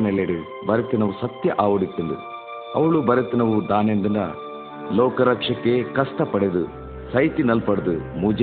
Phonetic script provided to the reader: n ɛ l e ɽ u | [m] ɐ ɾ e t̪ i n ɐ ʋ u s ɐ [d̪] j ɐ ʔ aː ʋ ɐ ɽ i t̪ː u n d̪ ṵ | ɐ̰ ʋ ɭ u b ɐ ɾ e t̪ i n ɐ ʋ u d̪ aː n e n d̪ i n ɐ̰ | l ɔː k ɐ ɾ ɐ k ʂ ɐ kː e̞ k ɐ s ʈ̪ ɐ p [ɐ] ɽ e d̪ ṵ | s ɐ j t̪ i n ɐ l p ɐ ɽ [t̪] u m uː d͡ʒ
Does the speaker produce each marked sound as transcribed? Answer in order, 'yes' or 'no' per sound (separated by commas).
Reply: no, no, yes, no